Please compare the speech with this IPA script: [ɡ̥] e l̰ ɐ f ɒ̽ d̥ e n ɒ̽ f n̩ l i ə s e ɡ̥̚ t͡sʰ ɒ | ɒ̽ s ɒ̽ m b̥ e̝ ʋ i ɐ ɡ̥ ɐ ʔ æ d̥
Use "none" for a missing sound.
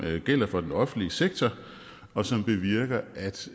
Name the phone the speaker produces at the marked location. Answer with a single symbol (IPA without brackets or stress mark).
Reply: ɡ̥